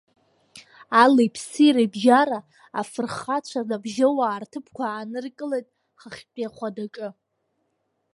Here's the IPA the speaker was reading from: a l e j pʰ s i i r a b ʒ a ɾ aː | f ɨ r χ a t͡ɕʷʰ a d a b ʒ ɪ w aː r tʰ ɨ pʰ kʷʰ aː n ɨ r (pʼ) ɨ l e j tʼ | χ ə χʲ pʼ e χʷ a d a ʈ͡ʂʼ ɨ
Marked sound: incorrect: kʼ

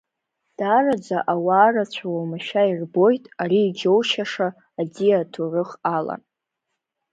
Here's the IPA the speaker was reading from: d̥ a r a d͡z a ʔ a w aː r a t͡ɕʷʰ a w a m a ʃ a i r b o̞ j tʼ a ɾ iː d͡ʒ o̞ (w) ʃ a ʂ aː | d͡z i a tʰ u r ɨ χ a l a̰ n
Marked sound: correct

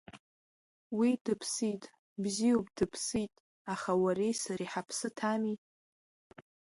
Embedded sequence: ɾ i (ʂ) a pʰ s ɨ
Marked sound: incorrect: ħ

